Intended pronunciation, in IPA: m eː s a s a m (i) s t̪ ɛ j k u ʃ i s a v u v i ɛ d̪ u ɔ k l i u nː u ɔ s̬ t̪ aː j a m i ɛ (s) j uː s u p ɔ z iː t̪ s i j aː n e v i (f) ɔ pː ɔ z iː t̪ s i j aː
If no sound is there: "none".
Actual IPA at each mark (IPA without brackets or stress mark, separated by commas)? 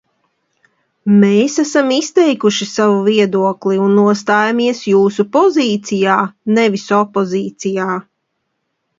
i, s, s